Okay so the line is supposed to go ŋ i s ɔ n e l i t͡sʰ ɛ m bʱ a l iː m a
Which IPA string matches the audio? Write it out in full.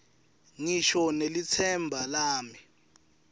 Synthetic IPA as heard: ŋ i ʃ ɔ n e l i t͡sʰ ɛ m bʱ a l aː m i